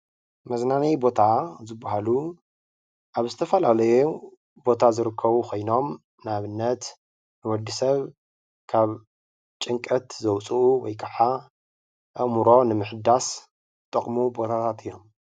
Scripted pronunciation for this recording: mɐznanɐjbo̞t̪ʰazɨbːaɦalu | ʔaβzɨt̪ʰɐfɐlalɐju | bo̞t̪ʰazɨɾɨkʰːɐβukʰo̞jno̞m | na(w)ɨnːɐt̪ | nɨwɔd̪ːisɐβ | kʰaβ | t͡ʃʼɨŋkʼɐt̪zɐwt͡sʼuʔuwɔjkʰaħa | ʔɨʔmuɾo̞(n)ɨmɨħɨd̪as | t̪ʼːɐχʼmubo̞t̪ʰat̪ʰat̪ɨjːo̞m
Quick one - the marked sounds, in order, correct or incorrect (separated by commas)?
incorrect, correct